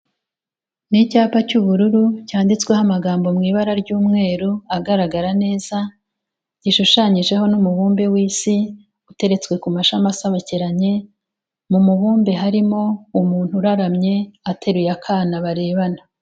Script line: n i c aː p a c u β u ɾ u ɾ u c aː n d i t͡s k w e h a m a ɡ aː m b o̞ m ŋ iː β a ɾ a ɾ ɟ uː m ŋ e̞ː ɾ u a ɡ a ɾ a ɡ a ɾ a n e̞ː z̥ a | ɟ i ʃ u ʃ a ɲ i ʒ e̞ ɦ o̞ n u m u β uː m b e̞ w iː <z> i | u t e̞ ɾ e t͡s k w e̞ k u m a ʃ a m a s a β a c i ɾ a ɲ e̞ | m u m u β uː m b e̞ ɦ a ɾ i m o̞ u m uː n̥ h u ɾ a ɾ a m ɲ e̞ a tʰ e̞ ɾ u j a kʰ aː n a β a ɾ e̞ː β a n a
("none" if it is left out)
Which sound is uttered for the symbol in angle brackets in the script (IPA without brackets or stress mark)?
s